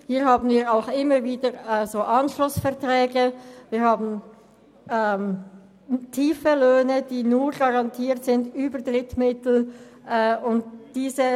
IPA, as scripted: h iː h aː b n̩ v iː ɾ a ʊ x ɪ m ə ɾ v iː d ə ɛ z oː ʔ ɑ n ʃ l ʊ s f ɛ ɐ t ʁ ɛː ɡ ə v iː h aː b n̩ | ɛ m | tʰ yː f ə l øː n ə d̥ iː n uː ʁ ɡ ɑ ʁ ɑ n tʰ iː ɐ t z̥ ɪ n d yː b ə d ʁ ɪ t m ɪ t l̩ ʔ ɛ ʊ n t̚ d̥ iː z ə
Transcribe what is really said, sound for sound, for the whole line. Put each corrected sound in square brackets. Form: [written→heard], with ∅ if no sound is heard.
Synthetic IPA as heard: h iː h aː b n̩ v iː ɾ a ʊ x ɪ m ə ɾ v iː d ə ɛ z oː ʔ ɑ n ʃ l ʊ s f ɛ ɐ t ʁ ɛː ɡ ə v iː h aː b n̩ | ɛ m | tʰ [yː→iː] f ə l øː n ə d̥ iː n uː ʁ ɡ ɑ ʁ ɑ n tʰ iː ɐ t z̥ ɪ n d yː b ə d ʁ ɪ t m ɪ t l̩ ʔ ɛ ʊ n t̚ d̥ iː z ə